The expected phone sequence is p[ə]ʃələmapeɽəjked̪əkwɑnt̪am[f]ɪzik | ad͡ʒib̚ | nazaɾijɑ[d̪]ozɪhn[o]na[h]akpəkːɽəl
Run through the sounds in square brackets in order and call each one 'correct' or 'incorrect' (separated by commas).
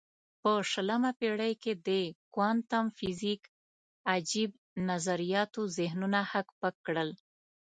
correct, correct, incorrect, incorrect, correct